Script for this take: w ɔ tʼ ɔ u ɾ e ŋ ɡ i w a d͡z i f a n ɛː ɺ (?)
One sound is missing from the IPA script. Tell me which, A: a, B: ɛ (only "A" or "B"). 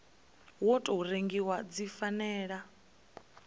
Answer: A